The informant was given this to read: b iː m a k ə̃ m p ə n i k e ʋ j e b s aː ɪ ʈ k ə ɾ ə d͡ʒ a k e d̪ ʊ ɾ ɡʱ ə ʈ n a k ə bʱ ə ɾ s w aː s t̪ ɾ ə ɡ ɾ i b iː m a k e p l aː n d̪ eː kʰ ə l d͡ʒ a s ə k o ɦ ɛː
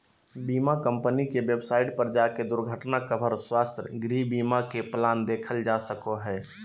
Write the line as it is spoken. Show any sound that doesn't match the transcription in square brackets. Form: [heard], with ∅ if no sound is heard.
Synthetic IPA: b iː m a k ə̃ m p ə n i k e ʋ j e b s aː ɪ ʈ [p] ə ɾ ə d͡ʒ a k e d̪ ʊ ɾ ɡʱ ə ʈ n a k ə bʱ ə ɾ s w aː s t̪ ɾ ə ɡ ɾ i b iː m a k e p l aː n d̪ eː kʰ ə l d͡ʒ a s ə k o ɦ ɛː